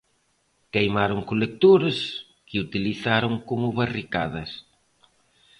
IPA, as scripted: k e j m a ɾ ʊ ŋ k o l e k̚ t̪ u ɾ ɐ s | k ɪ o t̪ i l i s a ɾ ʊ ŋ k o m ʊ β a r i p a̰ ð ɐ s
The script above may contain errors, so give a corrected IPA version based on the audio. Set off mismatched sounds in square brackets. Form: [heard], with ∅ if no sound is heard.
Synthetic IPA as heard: k e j m a ɾ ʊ ŋ k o l e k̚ t̪ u ɾ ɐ s | k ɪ [u] t̪ i l i [θ] a ɾ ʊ ŋ k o m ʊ β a r i [k] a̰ ð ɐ s